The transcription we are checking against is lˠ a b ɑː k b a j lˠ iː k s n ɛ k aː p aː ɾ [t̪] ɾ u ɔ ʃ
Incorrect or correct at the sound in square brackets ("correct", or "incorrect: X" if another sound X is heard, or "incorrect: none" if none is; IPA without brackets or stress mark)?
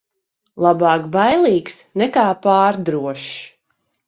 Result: incorrect: d̪